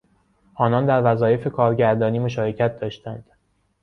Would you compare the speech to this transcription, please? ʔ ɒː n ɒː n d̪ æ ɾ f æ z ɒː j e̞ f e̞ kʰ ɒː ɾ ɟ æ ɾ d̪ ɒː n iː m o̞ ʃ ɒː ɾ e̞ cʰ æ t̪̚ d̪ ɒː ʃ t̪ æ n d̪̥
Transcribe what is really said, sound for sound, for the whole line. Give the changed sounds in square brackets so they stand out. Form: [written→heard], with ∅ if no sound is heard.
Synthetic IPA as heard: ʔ ɒː n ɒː n d̪ æ ɾ [f→v] æ z ɒː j e̞ f e̞ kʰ ɒː ɾ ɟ æ ɾ d̪ ɒː n iː m o̞ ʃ ɒː ɾ e̞ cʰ æ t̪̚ d̪ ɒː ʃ t̪ æ n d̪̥